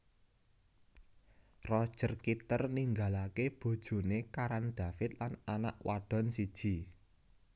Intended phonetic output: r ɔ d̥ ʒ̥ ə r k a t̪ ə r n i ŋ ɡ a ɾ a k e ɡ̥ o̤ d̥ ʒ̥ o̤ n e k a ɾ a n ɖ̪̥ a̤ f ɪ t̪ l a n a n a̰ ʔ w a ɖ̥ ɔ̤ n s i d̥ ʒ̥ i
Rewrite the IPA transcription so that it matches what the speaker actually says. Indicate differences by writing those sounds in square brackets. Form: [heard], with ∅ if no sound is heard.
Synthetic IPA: r ɔ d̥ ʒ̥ ə r k [i] t̪ ə r n i ŋ ɡ a [l] a k e [b̥] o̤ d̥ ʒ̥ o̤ n e k a ɾ a n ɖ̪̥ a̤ f ɪ t̪ l a n a n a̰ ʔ w a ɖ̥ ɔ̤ n s i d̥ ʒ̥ i

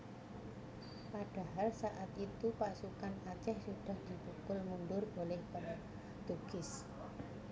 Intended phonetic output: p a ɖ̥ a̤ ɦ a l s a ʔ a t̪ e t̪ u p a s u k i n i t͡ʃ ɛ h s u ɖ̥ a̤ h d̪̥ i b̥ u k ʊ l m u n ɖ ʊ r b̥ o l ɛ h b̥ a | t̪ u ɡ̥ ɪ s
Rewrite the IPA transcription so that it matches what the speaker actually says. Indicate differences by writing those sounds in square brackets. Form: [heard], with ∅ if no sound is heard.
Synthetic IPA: p a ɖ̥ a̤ ɦ a l s a ʔ a t̪ [i] t̪ u p a s u k [a] n [a] t͡ʃ ɛ h s u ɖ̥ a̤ h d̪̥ i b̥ u k ʊ l m u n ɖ ʊ r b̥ o l ɛ h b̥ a | t̪ u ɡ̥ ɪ s

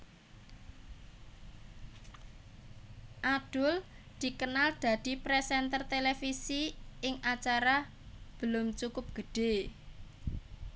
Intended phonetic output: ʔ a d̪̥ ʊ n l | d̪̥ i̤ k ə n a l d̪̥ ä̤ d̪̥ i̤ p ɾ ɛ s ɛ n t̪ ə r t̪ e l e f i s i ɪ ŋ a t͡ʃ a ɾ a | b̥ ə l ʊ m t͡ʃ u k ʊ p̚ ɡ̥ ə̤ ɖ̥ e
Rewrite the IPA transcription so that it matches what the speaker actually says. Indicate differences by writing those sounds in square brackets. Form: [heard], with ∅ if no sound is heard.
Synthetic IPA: ʔ a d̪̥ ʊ [∅] l | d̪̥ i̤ k ə n a l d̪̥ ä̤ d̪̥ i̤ p ɾ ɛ s ɛ n t̪ ə r t̪ e l e f i s i ɪ ŋ a t͡ʃ a ɾ a | b̥ ə l ʊ m t͡ʃ u k ʊ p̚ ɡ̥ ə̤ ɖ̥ e

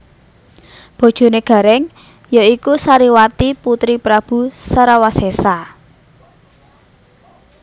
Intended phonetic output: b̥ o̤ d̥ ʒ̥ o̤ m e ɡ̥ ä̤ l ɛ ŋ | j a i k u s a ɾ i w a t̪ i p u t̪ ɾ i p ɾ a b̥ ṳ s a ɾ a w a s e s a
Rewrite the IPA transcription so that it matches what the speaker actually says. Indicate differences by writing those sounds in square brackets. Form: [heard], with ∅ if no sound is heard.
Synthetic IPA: b̥ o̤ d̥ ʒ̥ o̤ [n] e ɡ̥ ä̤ [ɾ] ɛ ŋ | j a i k u s a ɾ i w a t̪ i p u t̪ ɾ i p ɾ a b̥ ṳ s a ɾ a w a s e s a

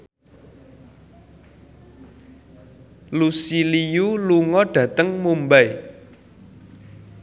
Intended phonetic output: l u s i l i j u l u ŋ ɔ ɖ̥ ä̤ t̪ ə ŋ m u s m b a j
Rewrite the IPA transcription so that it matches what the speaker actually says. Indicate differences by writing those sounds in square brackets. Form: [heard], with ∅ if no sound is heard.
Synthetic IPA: l u s i l i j u l u ŋ ɔ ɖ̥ ä̤ t̪ ə ŋ m u [∅] m b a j

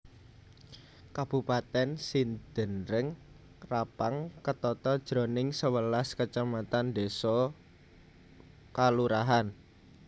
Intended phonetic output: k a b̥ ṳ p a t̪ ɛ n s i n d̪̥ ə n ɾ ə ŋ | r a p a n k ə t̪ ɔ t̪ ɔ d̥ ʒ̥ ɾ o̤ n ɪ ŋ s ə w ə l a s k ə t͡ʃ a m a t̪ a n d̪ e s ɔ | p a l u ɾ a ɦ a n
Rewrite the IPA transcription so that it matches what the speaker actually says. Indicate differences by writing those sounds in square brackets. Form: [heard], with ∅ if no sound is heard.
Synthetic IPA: k a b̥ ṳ p a t̪ ɛ n s i n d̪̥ ə n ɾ ə ŋ | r a p a [ŋ] k ə t̪ ɔ t̪ ɔ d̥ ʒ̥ ɾ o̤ n ɪ ŋ s ə w ə l a s k ə t͡ʃ a m a t̪ a n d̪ e s ɔ | [k] a l u ɾ a ɦ a n

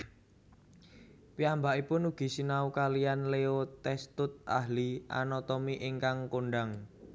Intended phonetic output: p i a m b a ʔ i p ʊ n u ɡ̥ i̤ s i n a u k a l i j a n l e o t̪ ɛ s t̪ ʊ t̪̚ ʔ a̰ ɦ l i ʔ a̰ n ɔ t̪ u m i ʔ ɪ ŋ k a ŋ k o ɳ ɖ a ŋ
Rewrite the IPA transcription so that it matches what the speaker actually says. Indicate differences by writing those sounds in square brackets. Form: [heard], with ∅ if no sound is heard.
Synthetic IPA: p i a m b a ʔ i p ʊ n u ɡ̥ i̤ s i n a u k a l i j a n l e o t̪ ɛ s t̪ ʊ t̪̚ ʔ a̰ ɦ l i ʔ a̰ n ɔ t̪ [ɔ] m i ʔ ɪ ŋ k a ŋ k o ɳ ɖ a ŋ

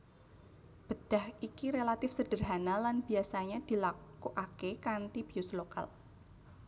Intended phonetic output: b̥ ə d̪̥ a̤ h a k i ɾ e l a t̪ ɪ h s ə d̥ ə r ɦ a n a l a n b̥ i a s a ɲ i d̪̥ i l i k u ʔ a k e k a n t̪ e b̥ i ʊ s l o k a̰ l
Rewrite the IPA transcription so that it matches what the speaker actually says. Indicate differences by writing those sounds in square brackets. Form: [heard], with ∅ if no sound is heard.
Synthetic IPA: b̥ ə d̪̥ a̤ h [i] k i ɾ e l a t̪ ɪ [f] s ə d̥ ə r ɦ a n a l a n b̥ i a s a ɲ [a] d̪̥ i l [a] k u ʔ a k e k a n t̪ [i] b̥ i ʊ s l o k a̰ l

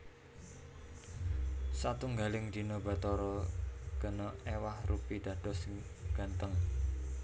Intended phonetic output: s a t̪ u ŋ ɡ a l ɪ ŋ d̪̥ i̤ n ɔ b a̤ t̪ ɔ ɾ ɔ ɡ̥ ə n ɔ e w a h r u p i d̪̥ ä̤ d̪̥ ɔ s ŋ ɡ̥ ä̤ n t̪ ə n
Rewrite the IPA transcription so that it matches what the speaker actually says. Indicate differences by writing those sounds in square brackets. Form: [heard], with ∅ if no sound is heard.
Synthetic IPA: s a t̪ u ŋ ɡ a l ɪ ŋ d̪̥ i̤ n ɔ b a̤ t̪ ɔ ɾ ɔ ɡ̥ ə n ɔ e w a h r u p i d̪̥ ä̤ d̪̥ ɔ s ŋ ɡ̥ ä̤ n t̪ ə [ŋ]

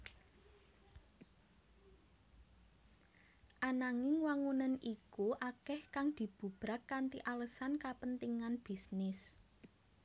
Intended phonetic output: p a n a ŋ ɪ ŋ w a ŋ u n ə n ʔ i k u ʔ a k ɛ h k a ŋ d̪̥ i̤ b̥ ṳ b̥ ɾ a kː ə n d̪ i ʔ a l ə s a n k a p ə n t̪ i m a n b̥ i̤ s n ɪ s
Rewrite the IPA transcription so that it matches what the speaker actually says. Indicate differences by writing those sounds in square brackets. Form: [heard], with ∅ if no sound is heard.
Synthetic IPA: [ʔ] a n a ŋ ɪ ŋ w a ŋ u n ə n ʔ i k u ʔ a k ɛ h k a ŋ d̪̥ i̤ b̥ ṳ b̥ ɾ a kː [a] n [t̪] i ʔ a l ə s a n k a p ə n t̪ i [ŋ] a n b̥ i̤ s n ɪ s

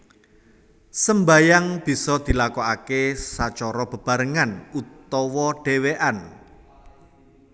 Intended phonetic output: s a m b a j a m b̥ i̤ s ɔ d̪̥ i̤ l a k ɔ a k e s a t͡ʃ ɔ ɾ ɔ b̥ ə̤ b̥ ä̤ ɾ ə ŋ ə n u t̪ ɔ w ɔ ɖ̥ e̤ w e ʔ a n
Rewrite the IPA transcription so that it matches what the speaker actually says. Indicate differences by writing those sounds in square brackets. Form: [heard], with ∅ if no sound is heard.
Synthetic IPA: s [ə] m b a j a [ŋ] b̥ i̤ s ɔ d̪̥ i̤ l a k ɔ a k e s a t͡ʃ ɔ ɾ ɔ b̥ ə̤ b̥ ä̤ ɾ ə ŋ [a] n u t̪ ɔ w ɔ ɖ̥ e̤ w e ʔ a n

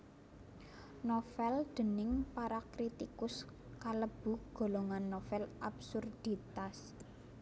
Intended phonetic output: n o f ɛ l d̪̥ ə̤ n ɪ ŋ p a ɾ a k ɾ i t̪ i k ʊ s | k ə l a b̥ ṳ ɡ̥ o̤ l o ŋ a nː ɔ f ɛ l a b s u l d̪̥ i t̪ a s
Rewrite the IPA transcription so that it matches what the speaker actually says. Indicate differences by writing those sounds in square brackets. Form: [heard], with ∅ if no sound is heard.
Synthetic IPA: n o f ɛ l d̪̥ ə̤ n ɪ ŋ p a ɾ a k ɾ i t̪ i k ʊ s | k [a] l [ə] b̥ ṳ ɡ̥ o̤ l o ŋ a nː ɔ f ɛ l a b s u [r] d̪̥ i t̪ a s

